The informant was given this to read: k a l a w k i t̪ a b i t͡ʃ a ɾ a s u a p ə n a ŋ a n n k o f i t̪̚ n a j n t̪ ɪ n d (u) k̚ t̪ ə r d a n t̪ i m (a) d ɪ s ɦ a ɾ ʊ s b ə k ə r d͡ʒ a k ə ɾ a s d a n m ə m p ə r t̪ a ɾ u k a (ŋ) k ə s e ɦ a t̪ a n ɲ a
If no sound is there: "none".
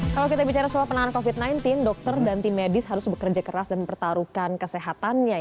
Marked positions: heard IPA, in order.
ɔ, e, n

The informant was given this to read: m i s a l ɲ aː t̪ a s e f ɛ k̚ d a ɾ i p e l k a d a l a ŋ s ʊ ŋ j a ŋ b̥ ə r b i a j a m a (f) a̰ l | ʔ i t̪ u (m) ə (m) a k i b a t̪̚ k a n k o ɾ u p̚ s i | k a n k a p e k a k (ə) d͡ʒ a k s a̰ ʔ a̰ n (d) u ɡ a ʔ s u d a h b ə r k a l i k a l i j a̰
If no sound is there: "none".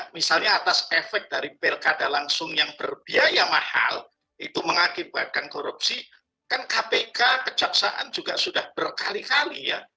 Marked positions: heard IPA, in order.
h, m, ŋ, ə, d͡ʒ

